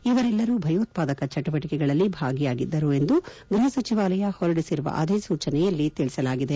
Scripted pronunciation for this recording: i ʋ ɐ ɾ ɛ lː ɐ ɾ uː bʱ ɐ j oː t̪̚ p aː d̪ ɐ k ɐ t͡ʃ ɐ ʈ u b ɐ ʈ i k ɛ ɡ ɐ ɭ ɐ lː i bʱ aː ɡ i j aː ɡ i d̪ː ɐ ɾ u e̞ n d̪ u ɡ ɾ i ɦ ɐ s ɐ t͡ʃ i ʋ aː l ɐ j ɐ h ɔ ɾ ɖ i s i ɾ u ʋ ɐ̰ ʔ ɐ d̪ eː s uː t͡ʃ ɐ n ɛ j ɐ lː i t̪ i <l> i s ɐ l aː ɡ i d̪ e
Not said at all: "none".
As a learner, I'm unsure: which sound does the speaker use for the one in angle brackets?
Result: ɭ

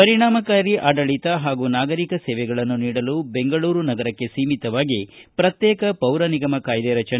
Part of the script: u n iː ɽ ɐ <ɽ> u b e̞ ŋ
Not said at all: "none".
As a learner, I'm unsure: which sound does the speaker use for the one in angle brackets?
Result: l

